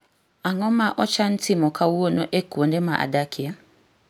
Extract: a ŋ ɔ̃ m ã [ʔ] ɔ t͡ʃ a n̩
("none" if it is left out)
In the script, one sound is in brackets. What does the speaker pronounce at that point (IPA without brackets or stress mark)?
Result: ʔ